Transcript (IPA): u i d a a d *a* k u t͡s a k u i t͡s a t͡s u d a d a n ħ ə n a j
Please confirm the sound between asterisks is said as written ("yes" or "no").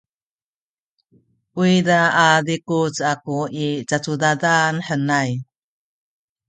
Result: no